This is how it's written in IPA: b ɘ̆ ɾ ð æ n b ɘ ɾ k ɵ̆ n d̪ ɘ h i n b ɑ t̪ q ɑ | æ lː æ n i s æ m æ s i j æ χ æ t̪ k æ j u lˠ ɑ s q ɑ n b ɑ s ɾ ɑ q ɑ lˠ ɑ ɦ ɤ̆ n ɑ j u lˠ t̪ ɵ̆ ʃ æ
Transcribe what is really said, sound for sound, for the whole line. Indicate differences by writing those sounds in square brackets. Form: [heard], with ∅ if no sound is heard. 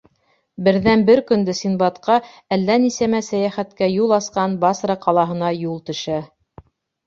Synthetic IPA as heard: b ɘ̆ ɾ ð æ n b ɘ ɾ k ɵ̆ n d̪ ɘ [s] i n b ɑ t̪ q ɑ | æ lː æ n i s æ m æ s [æ] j æ χ æ t̪ k æ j u lˠ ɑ s q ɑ n b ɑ s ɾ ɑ q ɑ lˠ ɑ ɦ ɤ̆ n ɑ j u lˠ t̪ ɵ̆ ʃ æ

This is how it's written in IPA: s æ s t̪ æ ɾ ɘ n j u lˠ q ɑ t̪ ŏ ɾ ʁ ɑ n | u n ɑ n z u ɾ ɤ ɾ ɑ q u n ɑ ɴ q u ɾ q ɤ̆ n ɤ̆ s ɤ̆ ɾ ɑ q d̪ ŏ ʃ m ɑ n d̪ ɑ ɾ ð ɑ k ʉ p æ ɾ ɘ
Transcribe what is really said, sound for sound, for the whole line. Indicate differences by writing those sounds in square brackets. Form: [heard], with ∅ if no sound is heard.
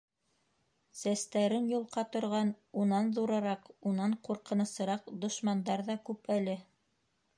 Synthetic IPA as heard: s æ s t̪ æ ɾ ɘ n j u lˠ q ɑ t̪ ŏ ɾ ʁ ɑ n | u n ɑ n [ð] u ɾ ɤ ɾ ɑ q u n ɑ ɴ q u ɾ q ɤ̆ n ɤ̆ s ɤ̆ ɾ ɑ q d̪ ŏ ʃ m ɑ n d̪ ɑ ɾ ð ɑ k ʉ p æ [l] ɘ

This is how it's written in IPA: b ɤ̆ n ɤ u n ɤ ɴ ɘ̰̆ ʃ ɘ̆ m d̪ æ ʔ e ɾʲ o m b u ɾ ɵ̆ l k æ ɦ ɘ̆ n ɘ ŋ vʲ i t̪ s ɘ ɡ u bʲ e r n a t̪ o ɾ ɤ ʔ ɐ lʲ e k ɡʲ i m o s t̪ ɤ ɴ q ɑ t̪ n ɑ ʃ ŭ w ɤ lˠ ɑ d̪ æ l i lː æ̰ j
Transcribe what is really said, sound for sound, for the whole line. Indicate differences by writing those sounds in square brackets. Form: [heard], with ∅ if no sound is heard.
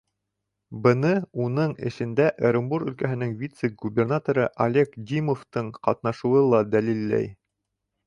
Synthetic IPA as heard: b ɤ̆ n ɤ u n ɤ ɴ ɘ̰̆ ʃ ɘ̆ [n] d̪ æ ʔ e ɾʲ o m b u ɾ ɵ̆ l k æ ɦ ɘ̆ n ɘ ŋ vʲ i t̪ s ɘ ɡ u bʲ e r n a t̪ o ɾ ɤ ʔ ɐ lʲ e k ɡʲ i m o [f] t̪ ɤ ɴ q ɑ t̪ n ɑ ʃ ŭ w ɤ lˠ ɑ d̪ æ l i lː æ̰ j

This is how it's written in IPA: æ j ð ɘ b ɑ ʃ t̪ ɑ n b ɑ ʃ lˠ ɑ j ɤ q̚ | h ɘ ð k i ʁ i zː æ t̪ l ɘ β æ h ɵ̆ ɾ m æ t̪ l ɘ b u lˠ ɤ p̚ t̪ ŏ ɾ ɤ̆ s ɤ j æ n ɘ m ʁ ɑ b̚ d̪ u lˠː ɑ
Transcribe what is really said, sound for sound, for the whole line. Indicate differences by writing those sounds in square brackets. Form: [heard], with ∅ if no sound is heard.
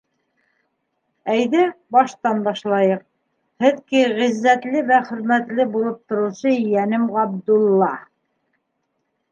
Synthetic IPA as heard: æ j ð ɘ b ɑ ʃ t̪ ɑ n b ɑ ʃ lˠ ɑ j ɤ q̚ | h ɘ ð k i ʁ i zː æ t̪ l ɘ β æ [χ] ɵ̆ ɾ m æ t̪ l ɘ b u lˠ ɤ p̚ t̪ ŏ ɾ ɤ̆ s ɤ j æ n ɘ m ʁ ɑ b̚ d̪ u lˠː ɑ

